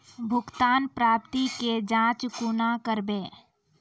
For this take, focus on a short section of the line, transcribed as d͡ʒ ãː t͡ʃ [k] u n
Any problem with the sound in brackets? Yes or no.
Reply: no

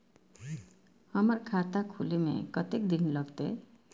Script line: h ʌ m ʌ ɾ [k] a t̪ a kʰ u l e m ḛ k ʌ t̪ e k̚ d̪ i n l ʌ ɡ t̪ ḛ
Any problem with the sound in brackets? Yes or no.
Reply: yes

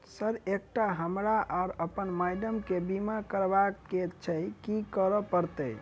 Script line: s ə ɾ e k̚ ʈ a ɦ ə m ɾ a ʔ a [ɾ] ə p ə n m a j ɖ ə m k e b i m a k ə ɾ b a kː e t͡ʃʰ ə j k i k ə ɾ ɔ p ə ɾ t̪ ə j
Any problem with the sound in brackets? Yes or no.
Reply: no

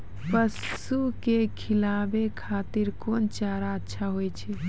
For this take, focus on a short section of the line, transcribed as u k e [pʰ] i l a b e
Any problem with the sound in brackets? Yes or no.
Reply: yes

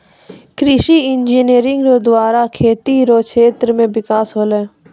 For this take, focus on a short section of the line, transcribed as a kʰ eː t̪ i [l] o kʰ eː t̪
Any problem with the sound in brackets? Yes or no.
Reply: yes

